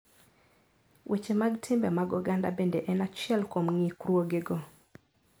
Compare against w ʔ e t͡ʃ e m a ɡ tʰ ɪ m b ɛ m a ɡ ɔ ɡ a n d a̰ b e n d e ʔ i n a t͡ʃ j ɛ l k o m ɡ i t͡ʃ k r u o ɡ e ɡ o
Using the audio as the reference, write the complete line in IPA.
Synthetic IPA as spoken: w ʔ e t͡ʃ e m a ɡ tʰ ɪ m b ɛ m a ɡ ɔ ɡ a n d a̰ b e n d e ʔ ɛ n a t͡ʃ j ɛ l k o m ŋ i k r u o ɡ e ɡ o